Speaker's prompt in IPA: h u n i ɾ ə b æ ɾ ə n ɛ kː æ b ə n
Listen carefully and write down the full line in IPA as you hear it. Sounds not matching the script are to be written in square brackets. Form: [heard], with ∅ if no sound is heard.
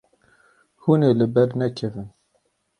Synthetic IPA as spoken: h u n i [l] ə b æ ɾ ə n [æ] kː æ [v] ə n